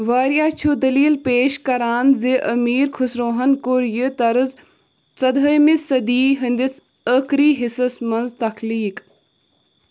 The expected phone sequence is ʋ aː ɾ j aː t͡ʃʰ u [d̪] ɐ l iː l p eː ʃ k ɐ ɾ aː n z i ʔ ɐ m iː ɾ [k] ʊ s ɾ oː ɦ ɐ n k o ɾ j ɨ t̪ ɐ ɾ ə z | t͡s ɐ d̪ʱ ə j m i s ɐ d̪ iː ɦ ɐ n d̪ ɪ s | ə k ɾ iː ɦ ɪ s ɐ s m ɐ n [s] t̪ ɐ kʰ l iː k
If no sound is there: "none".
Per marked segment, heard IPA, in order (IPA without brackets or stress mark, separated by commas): d̪, kʰ, z